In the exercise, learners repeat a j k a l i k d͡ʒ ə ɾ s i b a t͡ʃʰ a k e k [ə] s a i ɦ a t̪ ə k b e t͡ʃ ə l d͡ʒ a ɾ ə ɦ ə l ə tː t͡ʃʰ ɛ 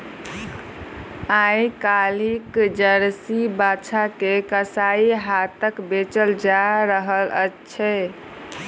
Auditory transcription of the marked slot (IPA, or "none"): ə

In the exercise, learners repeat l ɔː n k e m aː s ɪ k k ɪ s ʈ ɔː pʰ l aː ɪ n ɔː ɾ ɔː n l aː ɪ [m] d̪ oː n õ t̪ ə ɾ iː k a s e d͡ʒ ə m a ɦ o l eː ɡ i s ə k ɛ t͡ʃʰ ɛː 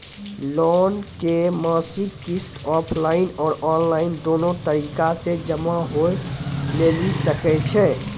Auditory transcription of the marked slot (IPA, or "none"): n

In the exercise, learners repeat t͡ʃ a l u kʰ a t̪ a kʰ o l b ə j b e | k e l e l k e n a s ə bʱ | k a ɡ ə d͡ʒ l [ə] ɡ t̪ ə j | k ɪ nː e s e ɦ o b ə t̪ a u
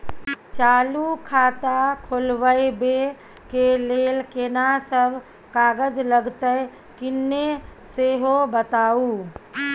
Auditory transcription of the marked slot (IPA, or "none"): ə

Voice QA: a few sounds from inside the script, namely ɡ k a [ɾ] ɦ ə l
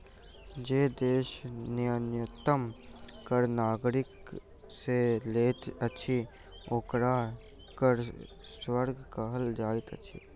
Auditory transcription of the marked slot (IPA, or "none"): none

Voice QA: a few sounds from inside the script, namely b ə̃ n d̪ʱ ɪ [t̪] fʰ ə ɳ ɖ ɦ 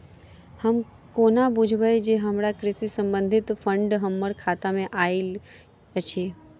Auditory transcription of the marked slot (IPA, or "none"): t̪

